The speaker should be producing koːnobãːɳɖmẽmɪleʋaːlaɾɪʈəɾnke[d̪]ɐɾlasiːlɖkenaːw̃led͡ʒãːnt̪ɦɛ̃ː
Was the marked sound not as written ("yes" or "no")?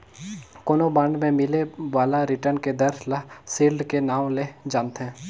no